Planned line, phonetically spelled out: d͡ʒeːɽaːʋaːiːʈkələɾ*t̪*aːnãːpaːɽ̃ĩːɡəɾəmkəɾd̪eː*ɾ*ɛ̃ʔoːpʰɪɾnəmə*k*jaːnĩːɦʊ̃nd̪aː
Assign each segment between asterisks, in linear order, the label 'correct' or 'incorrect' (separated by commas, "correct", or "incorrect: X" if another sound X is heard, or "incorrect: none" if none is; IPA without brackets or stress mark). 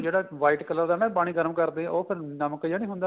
incorrect: d̪, incorrect: none, correct